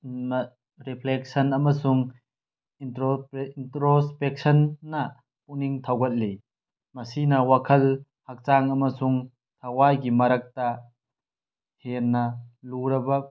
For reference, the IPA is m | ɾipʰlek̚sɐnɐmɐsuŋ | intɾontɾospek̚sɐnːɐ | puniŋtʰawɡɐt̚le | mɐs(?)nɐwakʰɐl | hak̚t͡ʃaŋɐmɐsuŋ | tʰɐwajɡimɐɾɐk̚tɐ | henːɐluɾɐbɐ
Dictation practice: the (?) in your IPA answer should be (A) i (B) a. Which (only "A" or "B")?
A